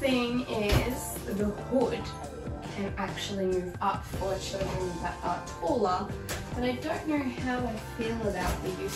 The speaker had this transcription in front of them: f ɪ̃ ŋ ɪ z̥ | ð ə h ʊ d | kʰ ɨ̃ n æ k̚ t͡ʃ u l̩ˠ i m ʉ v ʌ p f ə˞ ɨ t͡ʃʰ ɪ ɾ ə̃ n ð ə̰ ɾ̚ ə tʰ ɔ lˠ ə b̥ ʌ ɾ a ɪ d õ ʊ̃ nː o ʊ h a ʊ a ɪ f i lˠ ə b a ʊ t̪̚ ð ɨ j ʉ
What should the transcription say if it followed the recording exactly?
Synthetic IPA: θ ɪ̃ ŋ ɪ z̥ | ð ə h ʊ d | kʰ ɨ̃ n æ k̚ t͡ʃ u l̩ˠ i m ʉ v ʌ p f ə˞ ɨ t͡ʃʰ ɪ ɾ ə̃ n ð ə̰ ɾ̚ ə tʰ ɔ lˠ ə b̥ ʌ ɾ a ɪ d õ ʊ̃ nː o ʊ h a ʊ a ɪ f i lˠ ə b a ʊ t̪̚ ð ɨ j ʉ